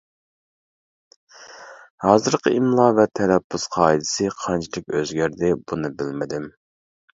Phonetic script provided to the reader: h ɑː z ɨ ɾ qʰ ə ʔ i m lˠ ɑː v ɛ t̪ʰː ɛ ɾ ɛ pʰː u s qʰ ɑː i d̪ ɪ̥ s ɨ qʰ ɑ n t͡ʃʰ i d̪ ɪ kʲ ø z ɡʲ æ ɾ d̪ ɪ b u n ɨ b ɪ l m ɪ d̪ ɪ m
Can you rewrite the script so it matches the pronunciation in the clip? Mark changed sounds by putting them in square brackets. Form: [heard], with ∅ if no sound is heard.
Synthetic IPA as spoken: h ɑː z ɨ ɾ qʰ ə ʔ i m lˠ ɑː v ɛ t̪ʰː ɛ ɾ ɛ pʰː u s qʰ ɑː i d̪ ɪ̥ s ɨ qʰ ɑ n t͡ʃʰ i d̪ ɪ kʲ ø z ɡʲ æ ɾ d̪ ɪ b u n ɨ b ɪ l m ɪ d̪ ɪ m

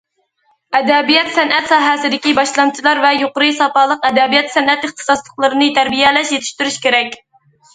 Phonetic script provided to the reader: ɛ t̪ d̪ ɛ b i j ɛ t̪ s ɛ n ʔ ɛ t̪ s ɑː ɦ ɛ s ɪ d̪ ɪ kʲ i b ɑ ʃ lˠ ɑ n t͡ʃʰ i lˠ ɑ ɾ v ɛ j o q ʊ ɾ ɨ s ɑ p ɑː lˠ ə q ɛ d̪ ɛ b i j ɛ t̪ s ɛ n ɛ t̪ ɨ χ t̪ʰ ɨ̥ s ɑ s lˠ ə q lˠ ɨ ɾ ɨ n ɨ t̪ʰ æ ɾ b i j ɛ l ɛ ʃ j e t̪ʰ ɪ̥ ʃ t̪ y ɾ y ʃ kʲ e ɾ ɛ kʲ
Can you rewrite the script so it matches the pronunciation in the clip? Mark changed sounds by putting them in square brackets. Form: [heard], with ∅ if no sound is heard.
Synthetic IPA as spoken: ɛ [∅] d̪ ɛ b i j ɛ t̪ s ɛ n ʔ ɛ t̪ s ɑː ɦ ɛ s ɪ d̪ ɪ kʲ i b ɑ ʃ lˠ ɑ n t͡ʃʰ i lˠ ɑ ɾ v ɛ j o q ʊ ɾ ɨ s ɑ p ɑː lˠ ə q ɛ d̪ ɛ b i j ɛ t̪ s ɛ n ɛ t̪ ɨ χ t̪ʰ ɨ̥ s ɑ s lˠ ə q lˠ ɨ ɾ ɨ n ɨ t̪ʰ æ ɾ b i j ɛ l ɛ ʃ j e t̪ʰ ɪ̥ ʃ t̪ y ɾ y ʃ kʲ e ɾ ɛ kʲ

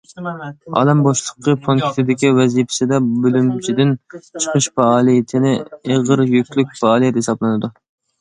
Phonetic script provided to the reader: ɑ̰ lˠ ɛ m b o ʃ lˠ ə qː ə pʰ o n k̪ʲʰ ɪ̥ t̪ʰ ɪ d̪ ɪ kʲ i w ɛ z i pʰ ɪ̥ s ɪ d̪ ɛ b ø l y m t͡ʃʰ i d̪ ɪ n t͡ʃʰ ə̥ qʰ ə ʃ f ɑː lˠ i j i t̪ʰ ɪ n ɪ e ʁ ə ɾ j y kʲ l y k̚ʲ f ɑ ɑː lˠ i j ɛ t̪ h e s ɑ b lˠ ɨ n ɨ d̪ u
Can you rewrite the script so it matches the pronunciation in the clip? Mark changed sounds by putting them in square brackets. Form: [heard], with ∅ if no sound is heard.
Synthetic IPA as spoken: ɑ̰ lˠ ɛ m b o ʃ lˠ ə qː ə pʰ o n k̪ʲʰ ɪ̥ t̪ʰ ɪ d̪ ɪ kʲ i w ɛ z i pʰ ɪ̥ s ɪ d̪ ɛ b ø l y m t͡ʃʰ i d̪ ɪ n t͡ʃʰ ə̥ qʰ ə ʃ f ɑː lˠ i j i t̪ʰ ɪ n ɪ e ʁ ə ɾ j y kʲ l y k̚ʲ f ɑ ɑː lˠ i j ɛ t̪ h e s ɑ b lˠ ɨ n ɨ d̪ u

